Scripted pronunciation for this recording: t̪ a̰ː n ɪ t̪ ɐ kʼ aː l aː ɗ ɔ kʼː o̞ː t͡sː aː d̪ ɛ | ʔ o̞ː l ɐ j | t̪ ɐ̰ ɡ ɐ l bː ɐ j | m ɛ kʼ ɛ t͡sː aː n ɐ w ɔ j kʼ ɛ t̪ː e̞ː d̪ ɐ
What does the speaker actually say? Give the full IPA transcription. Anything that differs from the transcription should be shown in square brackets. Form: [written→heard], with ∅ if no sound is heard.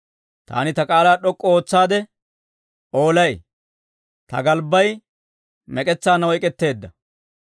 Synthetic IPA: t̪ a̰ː n ɪ t̪ ɐ kʼ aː l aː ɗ ɔ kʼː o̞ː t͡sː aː d̪ ɛ | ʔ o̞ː l ɐ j | t̪ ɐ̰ ɡ ɐ l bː ɐ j | m ɛ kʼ ɛ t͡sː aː n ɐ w ɔ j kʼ ɛ t̪ː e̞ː [d̪→d̪ː] ɐ